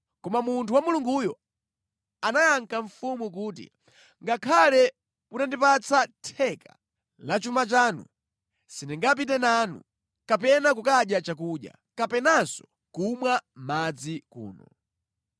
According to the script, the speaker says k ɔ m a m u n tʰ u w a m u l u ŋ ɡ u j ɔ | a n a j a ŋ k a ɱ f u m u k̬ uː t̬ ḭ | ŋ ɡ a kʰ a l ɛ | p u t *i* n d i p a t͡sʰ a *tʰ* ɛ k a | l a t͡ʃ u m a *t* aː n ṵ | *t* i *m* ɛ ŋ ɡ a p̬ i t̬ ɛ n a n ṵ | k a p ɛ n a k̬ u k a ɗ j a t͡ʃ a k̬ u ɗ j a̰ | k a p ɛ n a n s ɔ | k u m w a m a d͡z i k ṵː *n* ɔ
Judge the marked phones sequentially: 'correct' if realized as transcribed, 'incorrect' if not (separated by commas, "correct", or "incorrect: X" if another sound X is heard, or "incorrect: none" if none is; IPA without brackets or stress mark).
incorrect: a, correct, incorrect: t͡ʃ, incorrect: s, incorrect: n, correct